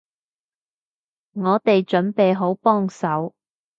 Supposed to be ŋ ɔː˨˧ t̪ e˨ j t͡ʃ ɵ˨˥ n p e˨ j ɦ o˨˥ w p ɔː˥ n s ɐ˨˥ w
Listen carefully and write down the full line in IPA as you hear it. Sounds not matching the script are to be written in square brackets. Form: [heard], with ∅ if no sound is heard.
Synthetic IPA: ŋ ɔː˨˧ t̪ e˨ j t͡ʃ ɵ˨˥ n p e˨ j ɦ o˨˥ w p ɔː˥ [ŋ] s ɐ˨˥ w